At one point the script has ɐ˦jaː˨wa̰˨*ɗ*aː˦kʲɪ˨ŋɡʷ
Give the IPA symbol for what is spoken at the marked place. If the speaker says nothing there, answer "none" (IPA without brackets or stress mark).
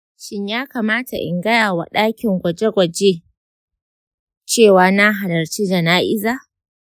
ɗ